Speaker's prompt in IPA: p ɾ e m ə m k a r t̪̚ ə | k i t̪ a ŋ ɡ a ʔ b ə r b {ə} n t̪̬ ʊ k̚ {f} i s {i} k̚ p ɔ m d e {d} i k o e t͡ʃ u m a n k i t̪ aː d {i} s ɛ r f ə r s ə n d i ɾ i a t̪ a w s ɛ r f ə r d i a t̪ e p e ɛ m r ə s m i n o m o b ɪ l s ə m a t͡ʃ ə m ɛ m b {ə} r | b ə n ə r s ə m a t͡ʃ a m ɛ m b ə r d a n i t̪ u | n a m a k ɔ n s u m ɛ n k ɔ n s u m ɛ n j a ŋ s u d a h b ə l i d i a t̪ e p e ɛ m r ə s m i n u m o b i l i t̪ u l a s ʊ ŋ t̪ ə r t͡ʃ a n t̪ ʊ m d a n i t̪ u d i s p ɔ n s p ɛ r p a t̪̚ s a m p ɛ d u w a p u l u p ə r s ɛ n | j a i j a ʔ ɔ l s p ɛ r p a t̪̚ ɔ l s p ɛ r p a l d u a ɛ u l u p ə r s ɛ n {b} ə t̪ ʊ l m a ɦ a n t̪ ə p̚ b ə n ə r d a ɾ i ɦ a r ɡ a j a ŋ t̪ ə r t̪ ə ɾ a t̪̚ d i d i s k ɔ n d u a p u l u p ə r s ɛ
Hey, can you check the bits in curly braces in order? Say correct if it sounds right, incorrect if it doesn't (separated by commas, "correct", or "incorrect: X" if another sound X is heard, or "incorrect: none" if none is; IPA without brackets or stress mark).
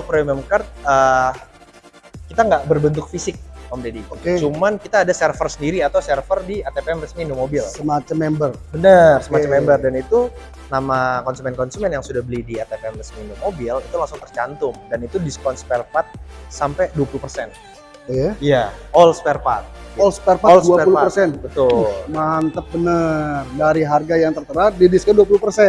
correct, correct, incorrect: ɪ, correct, incorrect: a, correct, correct